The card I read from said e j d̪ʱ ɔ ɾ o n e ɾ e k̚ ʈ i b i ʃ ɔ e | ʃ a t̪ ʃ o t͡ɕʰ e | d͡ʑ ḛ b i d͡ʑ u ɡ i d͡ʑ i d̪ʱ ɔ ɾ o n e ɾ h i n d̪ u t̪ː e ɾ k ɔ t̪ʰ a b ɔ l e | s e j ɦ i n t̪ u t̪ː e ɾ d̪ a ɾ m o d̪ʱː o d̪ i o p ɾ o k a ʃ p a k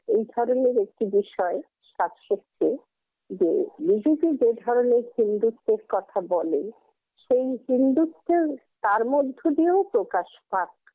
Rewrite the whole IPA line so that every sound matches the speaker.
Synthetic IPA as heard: e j d̪ʱ ɔ ɾ o n e ɾ e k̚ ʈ i b i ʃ ɔ e | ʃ a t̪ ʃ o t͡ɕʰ e | d͡ʑ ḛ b i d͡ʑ u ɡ i d͡ʑ e d̪ʱ ɔ ɾ o n e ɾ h i n d̪ u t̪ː e ɾ k ɔ t̪ʰ a b ɔ l e | ʃ e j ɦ i n d̪ u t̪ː e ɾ t̪ a ɾ m o d̪ʱː o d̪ i o p ɾ o k a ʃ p a k